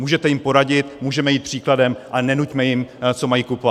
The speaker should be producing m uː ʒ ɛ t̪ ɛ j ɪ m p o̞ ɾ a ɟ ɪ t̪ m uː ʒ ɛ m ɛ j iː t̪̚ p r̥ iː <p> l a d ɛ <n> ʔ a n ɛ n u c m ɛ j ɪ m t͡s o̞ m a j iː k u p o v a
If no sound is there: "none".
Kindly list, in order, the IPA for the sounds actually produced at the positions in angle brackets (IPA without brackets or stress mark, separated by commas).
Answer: k, m